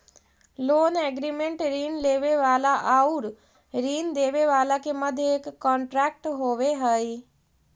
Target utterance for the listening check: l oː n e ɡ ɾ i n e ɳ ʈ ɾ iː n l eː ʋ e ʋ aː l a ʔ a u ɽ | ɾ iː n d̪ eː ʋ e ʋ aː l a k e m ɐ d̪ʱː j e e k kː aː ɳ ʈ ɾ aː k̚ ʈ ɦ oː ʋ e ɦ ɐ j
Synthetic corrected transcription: l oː n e ɡ ɾ i m e ɳ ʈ ɾ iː n l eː ʋ e ʋ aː l a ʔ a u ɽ | ɾ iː n d̪ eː ʋ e ʋ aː l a k e m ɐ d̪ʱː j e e k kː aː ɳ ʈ ɾ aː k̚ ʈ ɦ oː ʋ e ɦ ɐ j